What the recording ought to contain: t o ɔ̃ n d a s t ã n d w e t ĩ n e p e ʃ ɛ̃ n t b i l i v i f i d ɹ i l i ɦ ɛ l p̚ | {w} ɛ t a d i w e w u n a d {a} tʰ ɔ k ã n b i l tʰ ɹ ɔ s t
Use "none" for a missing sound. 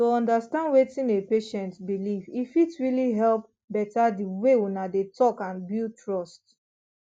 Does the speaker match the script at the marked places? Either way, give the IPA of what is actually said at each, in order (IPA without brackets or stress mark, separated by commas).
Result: b, e